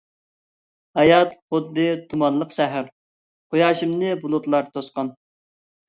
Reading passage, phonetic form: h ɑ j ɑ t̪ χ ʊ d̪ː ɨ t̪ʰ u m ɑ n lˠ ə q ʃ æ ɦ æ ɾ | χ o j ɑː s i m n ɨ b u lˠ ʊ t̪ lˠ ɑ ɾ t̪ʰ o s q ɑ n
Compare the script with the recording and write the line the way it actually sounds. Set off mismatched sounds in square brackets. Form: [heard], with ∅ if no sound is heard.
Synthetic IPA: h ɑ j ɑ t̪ χ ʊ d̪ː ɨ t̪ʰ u m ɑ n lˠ ə q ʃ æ ɦ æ ɾ | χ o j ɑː [ʃ] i m n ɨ b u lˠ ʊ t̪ lˠ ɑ ɾ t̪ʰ o s q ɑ n